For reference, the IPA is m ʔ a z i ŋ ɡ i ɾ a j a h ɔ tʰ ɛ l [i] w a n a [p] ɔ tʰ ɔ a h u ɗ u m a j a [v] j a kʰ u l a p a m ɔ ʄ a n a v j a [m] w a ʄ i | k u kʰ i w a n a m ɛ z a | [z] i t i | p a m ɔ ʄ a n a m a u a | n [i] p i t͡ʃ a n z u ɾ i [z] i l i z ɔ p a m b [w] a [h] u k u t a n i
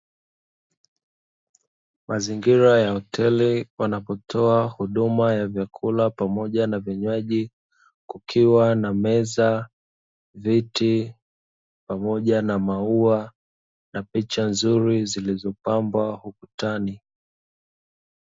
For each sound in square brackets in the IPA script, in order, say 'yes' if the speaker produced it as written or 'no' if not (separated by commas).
yes, yes, yes, no, no, no, yes, yes, yes